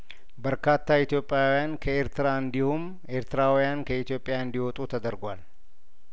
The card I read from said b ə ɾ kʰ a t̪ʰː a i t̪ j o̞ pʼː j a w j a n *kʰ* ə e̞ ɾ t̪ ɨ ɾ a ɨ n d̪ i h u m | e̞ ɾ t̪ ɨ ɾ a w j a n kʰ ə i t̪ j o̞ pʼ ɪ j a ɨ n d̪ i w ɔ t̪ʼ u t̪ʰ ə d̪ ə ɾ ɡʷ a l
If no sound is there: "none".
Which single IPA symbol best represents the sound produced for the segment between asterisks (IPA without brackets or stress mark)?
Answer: kʰ